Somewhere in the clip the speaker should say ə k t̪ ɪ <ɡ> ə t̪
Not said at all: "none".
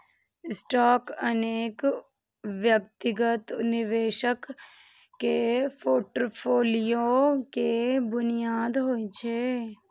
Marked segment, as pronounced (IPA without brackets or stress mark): ɡ